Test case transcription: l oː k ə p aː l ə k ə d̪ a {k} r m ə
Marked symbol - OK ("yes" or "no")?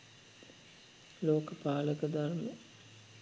no